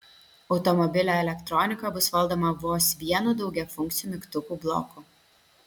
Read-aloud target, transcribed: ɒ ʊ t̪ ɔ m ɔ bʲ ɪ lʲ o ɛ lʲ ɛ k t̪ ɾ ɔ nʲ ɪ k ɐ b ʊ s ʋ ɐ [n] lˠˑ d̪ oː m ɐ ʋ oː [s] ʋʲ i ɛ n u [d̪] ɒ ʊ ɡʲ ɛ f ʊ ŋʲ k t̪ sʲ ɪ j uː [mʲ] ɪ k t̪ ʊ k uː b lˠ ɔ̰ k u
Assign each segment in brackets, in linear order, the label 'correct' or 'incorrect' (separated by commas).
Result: incorrect, correct, correct, correct